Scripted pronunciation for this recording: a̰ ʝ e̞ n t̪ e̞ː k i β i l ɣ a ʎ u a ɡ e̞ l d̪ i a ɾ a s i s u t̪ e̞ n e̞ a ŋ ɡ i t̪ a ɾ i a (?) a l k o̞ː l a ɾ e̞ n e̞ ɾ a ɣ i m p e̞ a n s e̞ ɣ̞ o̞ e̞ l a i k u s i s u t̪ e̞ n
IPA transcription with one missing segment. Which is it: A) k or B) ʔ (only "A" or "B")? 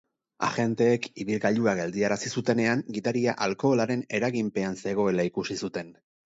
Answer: B